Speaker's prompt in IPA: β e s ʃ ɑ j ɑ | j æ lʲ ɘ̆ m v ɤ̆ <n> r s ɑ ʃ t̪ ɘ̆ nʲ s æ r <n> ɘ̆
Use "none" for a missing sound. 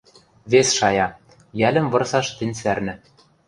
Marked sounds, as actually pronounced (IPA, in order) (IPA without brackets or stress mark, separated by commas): none, n